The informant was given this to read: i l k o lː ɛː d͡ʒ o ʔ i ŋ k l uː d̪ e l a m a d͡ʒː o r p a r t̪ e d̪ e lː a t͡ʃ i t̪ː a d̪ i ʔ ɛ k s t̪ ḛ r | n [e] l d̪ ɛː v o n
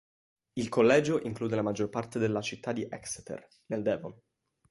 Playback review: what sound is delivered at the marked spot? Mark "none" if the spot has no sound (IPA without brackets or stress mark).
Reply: e